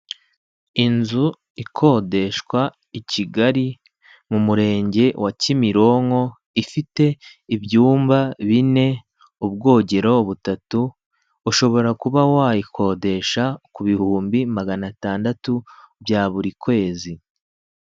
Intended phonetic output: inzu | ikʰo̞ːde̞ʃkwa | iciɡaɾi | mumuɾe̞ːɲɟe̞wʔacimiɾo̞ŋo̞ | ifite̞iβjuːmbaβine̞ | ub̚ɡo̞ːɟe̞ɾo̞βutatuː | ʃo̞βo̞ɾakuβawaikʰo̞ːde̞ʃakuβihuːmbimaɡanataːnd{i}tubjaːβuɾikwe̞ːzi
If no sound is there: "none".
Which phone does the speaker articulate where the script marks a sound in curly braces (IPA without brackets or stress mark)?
a